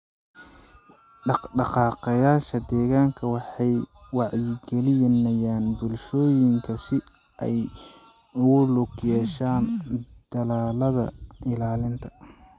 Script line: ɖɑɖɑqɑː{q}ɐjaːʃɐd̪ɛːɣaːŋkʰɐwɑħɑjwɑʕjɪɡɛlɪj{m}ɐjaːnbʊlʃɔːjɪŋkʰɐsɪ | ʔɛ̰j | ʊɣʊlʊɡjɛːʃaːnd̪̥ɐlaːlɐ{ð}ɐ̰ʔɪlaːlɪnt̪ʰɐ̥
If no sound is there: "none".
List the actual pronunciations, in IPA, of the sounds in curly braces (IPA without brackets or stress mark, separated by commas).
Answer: q, n, ð